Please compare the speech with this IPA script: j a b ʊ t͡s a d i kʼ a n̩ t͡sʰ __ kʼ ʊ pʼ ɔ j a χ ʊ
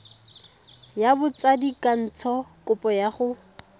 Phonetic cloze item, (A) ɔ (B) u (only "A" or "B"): A